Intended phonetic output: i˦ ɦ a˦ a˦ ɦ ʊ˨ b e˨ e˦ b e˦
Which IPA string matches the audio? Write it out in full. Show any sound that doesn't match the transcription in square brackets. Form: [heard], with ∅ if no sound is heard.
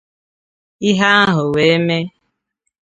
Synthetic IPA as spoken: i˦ ɦ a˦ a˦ ɦ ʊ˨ [w] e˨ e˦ [m] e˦

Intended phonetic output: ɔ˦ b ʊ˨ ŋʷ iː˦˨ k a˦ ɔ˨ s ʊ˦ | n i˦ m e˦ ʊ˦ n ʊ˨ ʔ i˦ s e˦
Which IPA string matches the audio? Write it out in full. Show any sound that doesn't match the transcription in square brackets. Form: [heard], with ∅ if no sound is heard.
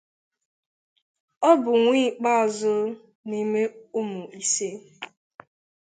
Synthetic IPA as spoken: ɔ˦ b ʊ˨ ŋʷ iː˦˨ [k͡p] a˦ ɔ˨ [z] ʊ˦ | n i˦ m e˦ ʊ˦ [m] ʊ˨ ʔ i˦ s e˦

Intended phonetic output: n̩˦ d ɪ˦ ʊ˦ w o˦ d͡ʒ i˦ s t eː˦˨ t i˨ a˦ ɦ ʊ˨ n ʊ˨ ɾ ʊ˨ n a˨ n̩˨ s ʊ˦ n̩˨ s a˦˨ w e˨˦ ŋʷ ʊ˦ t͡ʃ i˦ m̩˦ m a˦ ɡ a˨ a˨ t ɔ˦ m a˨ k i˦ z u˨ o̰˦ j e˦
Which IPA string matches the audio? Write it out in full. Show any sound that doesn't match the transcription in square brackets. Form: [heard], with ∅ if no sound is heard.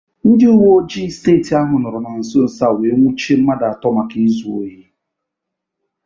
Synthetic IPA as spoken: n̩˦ d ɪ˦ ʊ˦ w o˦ d͡ʒ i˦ s t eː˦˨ t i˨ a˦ ɦ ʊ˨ n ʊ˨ ɾ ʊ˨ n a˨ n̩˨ s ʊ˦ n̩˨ s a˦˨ w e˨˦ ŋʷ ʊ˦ t͡ʃ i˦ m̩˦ m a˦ [d] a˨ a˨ t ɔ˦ m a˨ k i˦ z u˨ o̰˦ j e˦

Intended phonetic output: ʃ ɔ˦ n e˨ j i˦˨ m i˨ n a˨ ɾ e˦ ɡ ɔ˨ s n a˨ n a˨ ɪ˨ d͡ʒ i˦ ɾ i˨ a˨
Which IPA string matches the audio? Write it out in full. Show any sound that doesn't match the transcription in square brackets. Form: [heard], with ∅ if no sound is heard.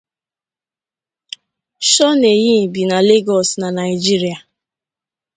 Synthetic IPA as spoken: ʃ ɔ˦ n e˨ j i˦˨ [b] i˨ n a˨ [l] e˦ ɡ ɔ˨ s n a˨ n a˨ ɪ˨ d͡ʒ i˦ ɾ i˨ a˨

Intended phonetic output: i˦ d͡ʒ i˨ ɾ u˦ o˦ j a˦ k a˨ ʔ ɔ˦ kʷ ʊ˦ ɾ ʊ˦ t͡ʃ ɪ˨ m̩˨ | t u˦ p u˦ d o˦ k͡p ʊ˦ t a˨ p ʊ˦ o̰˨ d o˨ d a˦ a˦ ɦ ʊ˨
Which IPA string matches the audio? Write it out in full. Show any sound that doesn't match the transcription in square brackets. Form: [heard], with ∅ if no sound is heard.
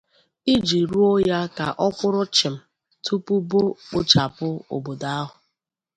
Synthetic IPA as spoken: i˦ d͡ʒ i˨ ɾ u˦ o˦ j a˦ k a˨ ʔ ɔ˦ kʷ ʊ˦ ɾ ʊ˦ t͡ʃ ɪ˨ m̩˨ | t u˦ p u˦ [b] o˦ k͡p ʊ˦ [t͡ʃ] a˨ p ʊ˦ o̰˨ [b] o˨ d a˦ a˦ ɦ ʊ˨

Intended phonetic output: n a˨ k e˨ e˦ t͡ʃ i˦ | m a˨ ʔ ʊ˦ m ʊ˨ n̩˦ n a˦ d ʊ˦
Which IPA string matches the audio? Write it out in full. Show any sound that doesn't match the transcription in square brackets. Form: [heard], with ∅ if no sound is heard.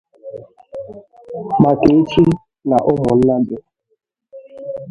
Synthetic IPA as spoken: [m] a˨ k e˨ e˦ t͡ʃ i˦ | [n] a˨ ʔ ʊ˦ m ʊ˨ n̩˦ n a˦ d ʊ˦

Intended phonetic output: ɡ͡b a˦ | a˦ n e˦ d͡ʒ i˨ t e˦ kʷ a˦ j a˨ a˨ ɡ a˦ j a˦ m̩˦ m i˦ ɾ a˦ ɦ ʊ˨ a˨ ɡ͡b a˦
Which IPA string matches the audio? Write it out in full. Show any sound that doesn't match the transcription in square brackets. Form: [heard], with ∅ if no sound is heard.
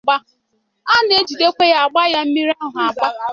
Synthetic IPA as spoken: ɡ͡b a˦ | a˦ n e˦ d͡ʒ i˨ [d] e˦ kʷ [e˦] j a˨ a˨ [ɡ͡b] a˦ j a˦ m̩˦ m i˦ ɾ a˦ ɦ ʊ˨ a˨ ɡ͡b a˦

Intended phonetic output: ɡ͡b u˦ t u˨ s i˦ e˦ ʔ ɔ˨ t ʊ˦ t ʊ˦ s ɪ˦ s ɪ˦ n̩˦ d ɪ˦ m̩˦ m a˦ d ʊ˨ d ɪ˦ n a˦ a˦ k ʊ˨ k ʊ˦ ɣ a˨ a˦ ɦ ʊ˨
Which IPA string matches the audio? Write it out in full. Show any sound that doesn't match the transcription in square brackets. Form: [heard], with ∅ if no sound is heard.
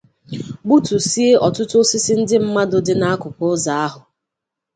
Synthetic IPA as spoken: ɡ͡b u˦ t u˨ s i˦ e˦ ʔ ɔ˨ t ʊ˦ t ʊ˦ s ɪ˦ s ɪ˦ n̩˦ d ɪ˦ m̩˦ m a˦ d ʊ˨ d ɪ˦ n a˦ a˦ k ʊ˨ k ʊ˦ [z] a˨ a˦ ɦ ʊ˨

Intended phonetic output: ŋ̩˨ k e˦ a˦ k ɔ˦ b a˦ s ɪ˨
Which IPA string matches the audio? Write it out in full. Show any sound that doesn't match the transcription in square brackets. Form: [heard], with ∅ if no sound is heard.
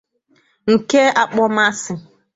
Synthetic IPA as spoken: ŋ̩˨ k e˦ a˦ [k͡p] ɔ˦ [m] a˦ s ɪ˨

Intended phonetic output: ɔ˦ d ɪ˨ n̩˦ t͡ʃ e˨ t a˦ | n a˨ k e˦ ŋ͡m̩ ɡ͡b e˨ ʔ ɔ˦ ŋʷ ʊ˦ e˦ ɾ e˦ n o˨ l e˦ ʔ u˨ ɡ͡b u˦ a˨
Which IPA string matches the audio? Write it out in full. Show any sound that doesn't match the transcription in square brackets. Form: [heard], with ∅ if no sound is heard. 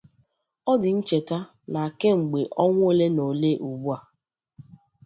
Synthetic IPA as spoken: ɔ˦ d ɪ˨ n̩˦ t͡ʃ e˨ t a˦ | n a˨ k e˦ ŋ͡m̩ ɡ͡b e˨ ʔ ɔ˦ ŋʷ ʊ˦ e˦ [l] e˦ n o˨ l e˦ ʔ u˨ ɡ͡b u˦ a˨

